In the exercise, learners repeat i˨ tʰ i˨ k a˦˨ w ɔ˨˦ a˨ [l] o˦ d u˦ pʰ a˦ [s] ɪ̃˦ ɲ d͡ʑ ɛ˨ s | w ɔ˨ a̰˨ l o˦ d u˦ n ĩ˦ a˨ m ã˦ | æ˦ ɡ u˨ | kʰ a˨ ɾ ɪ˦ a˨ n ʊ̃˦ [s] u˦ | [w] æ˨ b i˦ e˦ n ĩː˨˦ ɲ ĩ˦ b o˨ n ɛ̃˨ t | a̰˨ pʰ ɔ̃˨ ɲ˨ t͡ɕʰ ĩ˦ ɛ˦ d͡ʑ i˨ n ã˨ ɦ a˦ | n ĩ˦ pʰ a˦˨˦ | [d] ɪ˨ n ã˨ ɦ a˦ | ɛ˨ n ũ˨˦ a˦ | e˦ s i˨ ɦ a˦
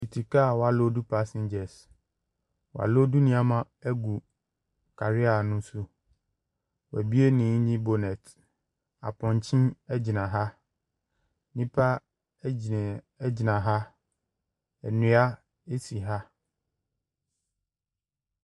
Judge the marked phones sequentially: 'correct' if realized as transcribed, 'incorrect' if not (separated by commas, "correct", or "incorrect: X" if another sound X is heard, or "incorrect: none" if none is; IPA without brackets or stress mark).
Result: correct, correct, correct, correct, incorrect: d͡ʑ